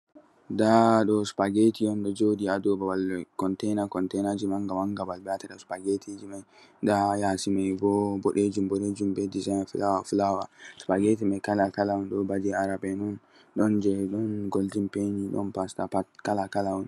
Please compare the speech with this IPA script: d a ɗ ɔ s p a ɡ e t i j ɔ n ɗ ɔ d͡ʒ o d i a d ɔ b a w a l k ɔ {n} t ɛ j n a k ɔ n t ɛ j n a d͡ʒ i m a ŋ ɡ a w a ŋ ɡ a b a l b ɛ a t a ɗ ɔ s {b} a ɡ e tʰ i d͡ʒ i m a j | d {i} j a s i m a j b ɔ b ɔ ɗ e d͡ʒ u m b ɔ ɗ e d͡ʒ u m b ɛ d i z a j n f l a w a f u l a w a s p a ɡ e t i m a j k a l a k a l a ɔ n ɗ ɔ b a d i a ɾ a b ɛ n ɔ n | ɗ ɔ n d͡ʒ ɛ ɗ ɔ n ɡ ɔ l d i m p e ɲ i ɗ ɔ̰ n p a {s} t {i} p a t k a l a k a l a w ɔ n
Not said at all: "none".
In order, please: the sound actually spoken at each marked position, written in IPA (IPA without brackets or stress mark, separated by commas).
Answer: n, p, a, s, a